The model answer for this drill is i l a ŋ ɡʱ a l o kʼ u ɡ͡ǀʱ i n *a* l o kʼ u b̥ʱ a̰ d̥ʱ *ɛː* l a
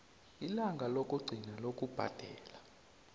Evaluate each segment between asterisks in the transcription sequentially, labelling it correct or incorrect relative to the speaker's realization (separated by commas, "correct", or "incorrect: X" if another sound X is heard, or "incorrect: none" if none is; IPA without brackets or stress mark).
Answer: correct, correct